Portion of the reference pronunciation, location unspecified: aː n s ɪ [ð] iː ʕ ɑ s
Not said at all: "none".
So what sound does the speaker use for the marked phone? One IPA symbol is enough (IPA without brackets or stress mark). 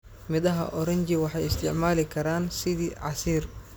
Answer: ð